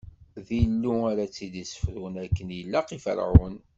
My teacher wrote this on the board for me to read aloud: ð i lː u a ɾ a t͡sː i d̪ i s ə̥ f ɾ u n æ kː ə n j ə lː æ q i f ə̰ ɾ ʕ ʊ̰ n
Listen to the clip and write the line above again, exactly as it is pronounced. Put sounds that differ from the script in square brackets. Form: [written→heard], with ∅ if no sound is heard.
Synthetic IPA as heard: ð i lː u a ɾ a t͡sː i d̪ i s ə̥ f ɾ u n æ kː ə n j ə lː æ q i f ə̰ ɾ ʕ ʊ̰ n